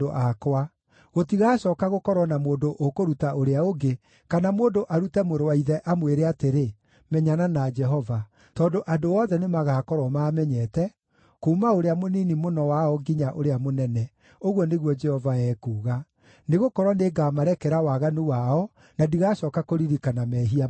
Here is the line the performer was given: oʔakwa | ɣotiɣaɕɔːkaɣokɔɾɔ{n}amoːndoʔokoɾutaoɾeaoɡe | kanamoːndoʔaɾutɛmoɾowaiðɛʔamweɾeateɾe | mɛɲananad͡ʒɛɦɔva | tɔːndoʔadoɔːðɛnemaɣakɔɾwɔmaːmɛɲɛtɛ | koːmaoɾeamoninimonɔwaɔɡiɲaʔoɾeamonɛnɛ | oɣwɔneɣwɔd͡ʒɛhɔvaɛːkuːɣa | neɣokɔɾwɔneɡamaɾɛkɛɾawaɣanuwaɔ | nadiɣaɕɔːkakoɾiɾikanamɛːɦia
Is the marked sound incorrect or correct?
correct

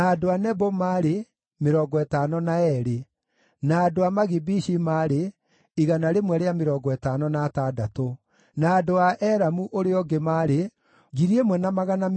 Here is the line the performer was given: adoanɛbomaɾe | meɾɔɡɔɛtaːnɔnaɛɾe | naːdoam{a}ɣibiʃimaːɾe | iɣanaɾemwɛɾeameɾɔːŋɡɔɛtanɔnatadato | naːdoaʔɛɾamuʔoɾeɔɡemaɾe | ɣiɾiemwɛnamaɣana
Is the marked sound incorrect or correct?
correct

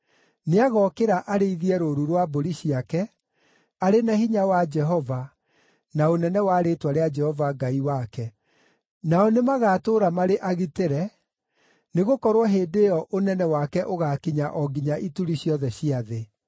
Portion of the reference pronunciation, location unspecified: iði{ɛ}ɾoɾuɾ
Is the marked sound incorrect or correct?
correct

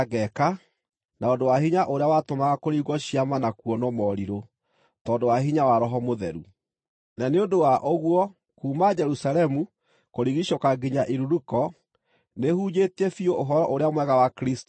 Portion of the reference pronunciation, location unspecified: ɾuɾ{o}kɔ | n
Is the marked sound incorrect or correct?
incorrect: u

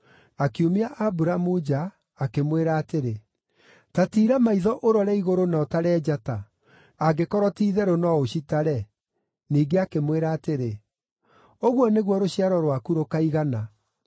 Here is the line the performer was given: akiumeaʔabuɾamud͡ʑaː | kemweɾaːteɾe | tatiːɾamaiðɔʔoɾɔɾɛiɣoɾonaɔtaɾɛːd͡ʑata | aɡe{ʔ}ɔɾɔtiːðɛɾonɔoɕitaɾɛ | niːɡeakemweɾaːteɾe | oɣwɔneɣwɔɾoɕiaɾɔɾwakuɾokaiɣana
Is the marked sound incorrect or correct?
incorrect: k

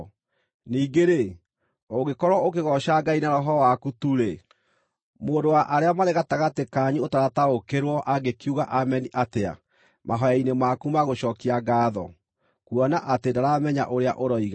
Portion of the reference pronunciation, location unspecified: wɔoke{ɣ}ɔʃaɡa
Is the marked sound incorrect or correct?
correct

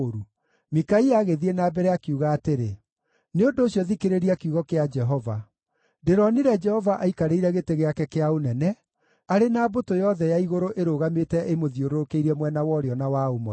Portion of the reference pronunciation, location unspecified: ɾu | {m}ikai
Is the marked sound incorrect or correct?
correct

